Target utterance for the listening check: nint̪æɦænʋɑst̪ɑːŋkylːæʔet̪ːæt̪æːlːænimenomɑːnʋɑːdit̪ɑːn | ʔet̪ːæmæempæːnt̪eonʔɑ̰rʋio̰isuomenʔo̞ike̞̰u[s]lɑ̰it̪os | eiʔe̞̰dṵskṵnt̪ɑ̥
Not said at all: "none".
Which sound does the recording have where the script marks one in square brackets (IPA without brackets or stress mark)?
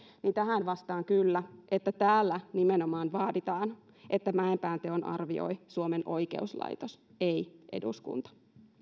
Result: s